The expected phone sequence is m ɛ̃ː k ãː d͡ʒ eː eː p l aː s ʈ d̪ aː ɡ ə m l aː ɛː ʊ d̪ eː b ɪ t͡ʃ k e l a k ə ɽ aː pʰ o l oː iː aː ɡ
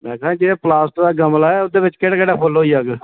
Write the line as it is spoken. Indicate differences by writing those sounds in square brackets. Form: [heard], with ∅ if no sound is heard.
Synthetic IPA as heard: m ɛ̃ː k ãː d͡ʒ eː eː p l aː s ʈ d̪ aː ɡ ə m l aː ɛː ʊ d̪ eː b ɪ t͡ʃ k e [ɽ] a k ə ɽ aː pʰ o l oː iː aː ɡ